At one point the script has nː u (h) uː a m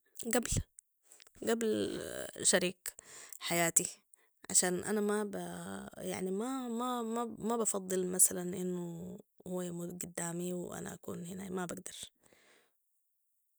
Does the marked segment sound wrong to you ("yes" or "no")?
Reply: no